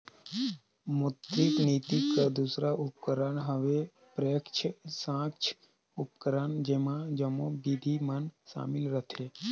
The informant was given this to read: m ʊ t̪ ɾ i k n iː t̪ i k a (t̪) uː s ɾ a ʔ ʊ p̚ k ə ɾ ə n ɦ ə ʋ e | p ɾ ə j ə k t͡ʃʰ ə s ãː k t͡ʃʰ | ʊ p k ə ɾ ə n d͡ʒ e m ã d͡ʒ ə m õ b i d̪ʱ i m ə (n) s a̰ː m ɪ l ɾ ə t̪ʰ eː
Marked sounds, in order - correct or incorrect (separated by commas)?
incorrect, correct